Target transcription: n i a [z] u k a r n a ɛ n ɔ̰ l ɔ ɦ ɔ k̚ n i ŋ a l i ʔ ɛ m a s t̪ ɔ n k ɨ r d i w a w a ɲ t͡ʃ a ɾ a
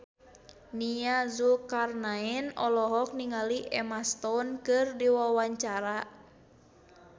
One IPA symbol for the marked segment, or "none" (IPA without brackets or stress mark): z